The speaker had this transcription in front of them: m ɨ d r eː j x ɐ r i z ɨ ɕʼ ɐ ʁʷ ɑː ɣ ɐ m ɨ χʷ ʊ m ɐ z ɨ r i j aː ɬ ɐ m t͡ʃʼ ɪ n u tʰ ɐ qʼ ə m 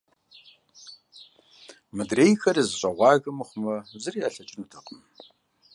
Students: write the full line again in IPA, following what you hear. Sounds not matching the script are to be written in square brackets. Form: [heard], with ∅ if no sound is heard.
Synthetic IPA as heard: m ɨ d r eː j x ɐ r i z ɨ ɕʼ ɐ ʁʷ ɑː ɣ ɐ m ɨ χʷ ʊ m ɐ z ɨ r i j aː ɬ ɐ [∅] t͡ʃʼ ɪ n u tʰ ɐ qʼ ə m

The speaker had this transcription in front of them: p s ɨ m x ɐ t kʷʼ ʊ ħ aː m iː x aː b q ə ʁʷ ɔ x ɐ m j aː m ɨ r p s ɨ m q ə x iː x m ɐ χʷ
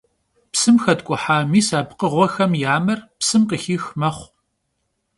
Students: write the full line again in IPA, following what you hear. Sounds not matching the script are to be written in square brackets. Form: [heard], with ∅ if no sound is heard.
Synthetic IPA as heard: p s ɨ m x ɐ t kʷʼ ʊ ħ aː m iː [s] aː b q ə ʁʷ ɔ x ɐ m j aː m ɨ r p s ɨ m q ə x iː x m ɐ χʷ

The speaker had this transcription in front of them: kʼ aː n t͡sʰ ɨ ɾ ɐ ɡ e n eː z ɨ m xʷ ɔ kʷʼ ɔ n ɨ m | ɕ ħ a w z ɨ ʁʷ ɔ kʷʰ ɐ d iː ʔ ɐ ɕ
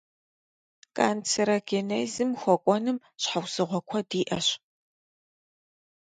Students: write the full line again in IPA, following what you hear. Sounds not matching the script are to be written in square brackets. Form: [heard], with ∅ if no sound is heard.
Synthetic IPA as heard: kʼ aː n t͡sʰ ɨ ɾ ɐ ɡ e n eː z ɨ m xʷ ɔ kʷʼ ɔ n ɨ m | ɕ ħ a w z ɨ ʁʷ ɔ kʷʰ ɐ d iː ʔ ɐ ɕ

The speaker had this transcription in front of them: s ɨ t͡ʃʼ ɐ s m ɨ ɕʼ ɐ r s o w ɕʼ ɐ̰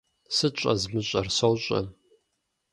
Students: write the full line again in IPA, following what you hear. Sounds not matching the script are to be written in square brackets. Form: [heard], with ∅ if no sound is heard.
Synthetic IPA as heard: s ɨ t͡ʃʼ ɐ [z] m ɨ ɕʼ ɐ r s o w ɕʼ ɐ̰

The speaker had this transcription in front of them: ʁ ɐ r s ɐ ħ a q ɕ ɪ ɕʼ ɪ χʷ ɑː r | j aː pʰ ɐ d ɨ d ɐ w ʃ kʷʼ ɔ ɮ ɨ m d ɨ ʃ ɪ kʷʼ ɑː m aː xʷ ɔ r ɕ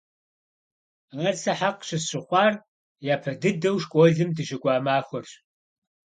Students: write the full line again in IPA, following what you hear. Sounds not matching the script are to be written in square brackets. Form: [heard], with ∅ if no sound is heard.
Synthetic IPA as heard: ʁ ɐ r s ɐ ħ a q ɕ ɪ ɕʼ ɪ χʷ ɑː r | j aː pʰ ɐ d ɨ d ɐ w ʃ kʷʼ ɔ ɮ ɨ m d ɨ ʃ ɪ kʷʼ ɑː m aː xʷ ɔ r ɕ

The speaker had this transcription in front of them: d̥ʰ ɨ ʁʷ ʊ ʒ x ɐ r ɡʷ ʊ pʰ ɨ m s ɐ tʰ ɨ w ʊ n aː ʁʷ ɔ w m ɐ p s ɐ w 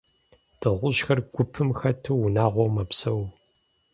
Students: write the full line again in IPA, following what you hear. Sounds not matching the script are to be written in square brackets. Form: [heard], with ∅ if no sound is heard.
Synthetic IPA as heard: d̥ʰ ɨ ʁʷ ʊ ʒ x ɐ r ɡʷ ʊ pʰ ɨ m [x] ɐ tʰ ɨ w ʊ n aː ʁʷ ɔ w m ɐ p s ɐ w

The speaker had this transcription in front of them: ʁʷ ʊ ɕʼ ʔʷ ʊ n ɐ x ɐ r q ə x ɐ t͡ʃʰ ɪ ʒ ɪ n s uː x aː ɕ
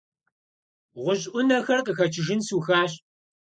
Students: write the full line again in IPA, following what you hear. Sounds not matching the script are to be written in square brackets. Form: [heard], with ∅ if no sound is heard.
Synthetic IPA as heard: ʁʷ ʊ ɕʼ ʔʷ ʊ n ɐ x ɐ r q ə x ɐ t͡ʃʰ ɪ ʒ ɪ n s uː x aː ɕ

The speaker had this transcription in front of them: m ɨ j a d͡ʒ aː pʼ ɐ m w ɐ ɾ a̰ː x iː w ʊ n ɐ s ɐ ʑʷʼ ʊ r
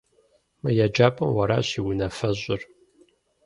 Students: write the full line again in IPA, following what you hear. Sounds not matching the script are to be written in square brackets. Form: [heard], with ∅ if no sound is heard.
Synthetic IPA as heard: m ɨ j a d͡ʒ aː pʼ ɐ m w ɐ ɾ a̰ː [ɕ] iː w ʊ n ɐ [f] ɐ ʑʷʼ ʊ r

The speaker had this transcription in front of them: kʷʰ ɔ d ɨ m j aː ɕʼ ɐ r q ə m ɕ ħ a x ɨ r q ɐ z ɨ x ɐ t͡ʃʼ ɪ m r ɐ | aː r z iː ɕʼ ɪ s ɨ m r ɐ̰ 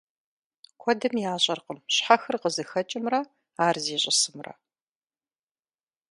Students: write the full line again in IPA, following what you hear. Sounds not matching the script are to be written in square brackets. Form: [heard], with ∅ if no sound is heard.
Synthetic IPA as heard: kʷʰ ɔ d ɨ m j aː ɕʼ ɐ r q ə m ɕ ħ a x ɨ r q [ə] z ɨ x ɐ t͡ʃʼ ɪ m r ɐ | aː r z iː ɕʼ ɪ s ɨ m r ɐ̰

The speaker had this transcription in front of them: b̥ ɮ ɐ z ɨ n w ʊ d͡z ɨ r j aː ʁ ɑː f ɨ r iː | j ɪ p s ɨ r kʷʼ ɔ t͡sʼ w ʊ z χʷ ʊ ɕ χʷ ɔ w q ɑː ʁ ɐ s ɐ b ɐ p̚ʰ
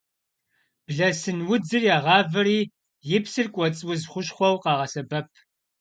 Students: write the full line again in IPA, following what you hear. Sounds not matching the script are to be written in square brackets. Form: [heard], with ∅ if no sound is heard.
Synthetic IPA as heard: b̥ ɮ ɐ [s] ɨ n w ʊ d͡z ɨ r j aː ʁ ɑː [v] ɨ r iː | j ɪ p s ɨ r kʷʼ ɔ t͡sʼ w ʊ z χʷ ʊ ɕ χʷ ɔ w q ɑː ʁ ɐ s ɐ b ɐ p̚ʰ

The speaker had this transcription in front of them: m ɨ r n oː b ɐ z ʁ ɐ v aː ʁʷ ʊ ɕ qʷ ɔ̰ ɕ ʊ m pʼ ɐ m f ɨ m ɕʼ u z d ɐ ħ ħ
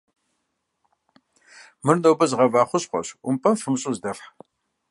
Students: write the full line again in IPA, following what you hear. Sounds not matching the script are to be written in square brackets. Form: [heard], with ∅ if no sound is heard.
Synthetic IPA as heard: m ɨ r n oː b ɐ z ʁ ɐ v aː [χʷ] ʊ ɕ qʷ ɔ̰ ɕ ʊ m pʼ ɐ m f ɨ m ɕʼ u z d ɐ [f] ħ

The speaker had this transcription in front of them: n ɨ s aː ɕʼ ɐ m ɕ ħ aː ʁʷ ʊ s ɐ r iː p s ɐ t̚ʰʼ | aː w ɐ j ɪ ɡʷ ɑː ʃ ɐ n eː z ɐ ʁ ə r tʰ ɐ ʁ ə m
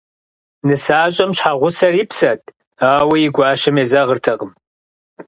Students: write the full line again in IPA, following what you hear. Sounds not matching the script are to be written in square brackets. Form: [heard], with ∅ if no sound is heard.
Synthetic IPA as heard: n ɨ s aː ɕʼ ɐ m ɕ ħ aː ʁʷ ʊ s ɐ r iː p s ɐ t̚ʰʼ | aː w ɐ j ɪ ɡʷ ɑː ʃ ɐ [m] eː z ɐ ʁ ə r tʰ ɐ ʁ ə m

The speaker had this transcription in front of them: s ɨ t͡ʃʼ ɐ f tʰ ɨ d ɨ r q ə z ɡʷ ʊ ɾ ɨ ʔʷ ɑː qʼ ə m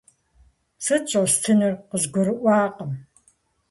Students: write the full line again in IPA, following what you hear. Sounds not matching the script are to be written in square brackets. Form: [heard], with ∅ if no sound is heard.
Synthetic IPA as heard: s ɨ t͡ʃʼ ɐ [s] tʰ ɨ [n] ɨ r q ə z ɡʷ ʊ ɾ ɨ ʔʷ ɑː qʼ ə m

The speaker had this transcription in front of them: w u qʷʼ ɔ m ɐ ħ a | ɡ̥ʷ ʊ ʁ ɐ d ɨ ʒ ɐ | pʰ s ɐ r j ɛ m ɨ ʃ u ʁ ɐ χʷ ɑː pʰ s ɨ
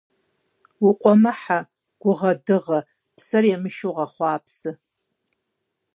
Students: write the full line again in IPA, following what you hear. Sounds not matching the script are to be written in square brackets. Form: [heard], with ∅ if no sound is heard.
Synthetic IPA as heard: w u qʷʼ ɔ m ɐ ħ a | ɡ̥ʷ ʊ ʁ ɐ d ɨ [ʁ] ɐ | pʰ s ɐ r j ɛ m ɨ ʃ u ʁ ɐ χʷ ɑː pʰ s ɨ

